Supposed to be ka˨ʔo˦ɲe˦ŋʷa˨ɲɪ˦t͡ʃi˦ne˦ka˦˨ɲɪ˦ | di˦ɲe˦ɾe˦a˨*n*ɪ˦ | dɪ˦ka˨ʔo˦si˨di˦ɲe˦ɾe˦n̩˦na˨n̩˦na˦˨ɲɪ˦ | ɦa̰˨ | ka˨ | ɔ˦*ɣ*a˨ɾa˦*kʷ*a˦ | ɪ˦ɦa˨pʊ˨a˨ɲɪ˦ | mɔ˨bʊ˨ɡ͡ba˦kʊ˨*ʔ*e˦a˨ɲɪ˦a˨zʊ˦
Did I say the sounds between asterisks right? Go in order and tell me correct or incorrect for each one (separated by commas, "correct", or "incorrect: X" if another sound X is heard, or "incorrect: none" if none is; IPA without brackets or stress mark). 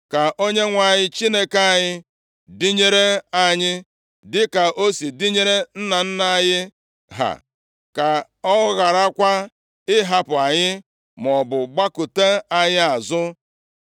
incorrect: ɲ, correct, correct, incorrect: t